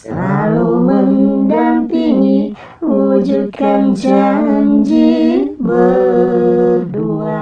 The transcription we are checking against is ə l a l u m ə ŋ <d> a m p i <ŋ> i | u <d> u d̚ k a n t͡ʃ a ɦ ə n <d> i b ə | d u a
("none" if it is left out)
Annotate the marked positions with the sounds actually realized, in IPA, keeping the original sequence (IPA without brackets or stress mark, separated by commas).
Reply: d, ŋ, d͡ʒ, d͡ʒ